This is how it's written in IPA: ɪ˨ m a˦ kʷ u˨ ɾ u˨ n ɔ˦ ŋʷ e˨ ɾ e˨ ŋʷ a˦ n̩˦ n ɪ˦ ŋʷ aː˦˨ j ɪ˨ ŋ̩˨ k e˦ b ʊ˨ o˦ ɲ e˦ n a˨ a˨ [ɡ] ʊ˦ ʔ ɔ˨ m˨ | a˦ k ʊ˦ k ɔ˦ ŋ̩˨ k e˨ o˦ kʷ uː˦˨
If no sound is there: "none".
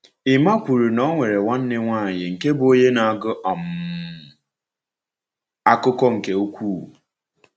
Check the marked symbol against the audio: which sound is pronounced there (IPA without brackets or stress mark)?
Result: ɡ